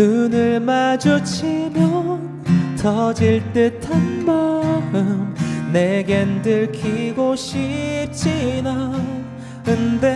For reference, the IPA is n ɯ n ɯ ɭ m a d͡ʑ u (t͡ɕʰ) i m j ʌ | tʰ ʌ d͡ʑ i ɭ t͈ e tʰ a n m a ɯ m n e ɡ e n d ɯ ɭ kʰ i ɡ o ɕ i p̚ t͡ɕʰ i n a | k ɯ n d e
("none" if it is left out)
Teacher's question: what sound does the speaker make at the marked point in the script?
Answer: t͡ɕʰ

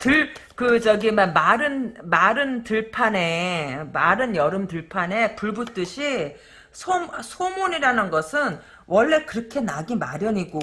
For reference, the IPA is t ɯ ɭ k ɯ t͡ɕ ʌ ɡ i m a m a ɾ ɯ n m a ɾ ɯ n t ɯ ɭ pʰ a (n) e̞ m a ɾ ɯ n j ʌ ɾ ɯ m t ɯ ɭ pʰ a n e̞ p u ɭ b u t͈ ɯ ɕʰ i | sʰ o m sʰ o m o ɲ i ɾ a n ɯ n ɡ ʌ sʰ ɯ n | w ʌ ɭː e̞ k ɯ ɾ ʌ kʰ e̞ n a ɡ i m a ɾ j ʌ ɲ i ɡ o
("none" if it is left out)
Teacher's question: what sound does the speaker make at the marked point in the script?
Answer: n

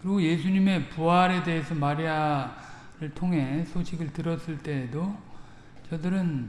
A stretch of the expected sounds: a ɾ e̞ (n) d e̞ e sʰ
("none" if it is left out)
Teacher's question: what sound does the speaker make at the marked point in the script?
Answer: none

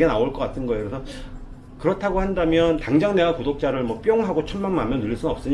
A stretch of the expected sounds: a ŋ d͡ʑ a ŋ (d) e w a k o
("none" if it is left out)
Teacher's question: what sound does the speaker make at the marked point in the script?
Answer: n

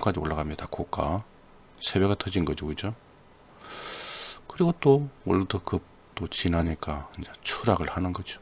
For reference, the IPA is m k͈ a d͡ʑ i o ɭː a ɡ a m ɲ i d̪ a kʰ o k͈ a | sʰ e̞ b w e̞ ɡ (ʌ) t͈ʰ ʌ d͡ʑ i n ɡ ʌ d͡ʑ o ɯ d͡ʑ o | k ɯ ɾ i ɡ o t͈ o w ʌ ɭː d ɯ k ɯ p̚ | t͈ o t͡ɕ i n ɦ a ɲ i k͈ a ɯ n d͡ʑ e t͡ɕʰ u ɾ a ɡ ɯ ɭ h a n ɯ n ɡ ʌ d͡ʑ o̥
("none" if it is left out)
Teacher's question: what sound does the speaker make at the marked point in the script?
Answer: a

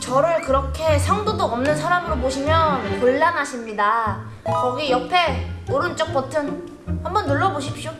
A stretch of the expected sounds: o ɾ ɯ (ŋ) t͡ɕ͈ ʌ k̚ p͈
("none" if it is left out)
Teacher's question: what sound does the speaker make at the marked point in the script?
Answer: n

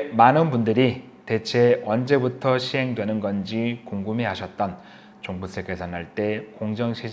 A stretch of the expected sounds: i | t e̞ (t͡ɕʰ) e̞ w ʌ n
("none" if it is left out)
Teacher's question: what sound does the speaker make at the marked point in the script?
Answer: t͡ɕʰ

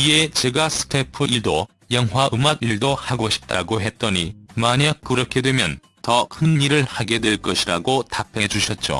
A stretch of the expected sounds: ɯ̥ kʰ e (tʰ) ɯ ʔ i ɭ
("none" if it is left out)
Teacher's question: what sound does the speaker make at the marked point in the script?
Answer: pʰ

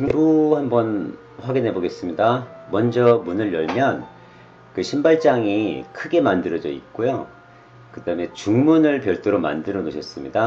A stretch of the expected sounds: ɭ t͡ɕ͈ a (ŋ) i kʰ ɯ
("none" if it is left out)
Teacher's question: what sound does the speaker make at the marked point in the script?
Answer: ŋ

